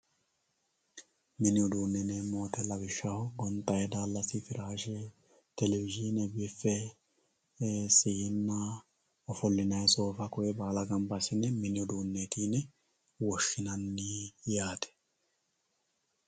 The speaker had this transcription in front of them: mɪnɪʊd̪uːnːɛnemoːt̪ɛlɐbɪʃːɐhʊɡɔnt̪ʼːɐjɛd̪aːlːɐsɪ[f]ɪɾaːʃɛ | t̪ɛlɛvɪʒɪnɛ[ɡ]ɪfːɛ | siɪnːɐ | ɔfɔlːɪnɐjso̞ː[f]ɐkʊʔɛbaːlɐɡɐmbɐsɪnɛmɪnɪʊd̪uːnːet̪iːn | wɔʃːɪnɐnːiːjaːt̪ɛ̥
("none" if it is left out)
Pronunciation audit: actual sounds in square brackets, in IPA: f, b, f

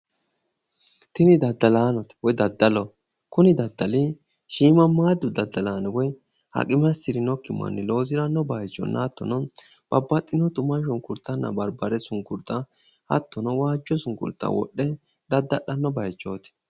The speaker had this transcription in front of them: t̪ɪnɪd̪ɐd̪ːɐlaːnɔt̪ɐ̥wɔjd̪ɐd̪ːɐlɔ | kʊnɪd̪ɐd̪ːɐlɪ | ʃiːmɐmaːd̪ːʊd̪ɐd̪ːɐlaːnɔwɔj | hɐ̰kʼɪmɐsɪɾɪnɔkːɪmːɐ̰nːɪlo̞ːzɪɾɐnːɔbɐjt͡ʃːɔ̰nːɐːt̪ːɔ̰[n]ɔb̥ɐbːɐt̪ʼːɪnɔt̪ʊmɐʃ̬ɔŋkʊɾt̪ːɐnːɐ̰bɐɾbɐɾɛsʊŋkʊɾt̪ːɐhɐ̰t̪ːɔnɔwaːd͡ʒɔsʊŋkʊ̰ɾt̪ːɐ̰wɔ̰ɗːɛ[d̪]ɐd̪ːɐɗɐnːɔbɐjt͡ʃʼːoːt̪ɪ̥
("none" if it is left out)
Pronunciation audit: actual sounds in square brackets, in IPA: n, d̪

